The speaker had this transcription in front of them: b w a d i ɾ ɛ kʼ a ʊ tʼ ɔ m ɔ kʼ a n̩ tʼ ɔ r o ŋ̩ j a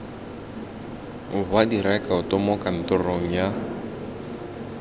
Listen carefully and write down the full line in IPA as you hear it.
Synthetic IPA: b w a d i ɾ ɛ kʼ a ʊ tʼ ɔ m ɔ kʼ a n̩ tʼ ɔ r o ŋ̩ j a